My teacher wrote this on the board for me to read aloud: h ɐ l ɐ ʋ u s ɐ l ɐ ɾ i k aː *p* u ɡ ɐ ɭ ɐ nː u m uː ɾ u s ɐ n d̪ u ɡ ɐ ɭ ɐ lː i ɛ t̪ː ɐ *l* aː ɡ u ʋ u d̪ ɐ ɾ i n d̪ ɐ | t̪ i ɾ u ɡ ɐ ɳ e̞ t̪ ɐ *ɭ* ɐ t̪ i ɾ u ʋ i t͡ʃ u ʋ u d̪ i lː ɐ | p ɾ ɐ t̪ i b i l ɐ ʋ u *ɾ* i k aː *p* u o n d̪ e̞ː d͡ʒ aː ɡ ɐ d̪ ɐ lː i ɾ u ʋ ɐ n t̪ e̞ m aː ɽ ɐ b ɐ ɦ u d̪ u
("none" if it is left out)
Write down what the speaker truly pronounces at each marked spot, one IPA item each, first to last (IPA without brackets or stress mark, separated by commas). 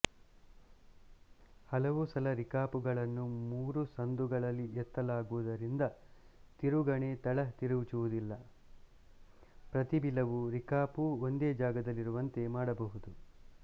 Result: p, l, ɭ, ɾ, p